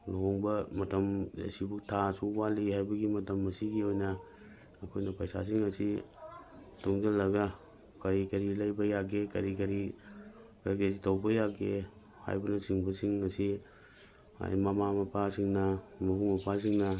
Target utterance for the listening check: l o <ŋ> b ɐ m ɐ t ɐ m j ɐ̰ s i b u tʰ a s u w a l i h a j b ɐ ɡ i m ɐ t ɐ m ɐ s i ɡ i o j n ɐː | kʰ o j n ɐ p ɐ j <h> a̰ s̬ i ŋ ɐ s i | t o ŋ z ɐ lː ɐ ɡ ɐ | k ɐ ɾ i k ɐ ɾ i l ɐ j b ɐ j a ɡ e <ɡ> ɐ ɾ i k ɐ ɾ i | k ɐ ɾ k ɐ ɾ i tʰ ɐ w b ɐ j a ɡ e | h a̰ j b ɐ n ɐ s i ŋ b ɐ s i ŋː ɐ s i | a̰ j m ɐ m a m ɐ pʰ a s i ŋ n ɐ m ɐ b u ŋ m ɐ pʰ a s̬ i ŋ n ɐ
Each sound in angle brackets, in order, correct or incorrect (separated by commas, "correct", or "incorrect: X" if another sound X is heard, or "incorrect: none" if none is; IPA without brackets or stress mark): correct, incorrect: s, incorrect: k